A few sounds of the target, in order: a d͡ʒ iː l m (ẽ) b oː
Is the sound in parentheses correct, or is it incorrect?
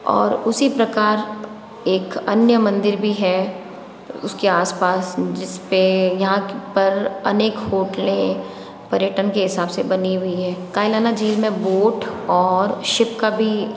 correct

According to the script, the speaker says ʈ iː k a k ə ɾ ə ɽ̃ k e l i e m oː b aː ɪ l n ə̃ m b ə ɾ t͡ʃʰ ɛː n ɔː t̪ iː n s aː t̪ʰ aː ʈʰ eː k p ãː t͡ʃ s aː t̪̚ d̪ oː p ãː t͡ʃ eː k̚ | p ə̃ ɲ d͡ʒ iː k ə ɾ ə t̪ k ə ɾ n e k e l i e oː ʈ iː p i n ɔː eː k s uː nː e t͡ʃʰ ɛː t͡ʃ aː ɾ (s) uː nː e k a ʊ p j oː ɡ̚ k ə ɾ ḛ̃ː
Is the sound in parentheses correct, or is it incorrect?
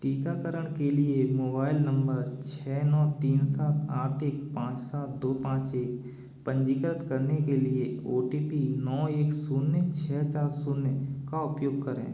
correct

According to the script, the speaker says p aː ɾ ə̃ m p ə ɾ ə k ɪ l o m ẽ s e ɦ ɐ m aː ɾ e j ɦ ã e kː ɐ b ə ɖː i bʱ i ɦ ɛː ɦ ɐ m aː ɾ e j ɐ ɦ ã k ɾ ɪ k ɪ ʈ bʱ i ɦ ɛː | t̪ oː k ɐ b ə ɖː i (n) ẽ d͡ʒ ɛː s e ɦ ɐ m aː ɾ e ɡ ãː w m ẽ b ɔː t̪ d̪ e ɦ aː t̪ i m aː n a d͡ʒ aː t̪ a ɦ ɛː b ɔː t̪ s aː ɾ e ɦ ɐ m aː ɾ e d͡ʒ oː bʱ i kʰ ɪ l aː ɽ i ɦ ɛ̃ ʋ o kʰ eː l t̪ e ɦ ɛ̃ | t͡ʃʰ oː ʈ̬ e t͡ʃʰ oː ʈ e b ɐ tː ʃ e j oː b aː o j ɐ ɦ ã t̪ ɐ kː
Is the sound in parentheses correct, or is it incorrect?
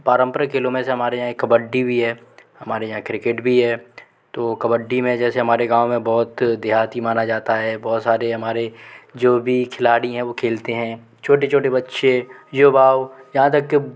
incorrect: m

